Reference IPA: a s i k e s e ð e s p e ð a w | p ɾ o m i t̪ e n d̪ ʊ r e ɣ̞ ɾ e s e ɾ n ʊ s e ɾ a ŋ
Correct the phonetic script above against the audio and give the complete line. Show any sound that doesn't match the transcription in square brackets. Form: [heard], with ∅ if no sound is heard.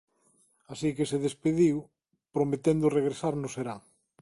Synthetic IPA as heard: a s i k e s e ð e s p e ð [i] w | p ɾ o m [e] t̪ e n d̪ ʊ r e ɣ̞ ɾ e s [a] ɾ n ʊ s e ɾ a ŋ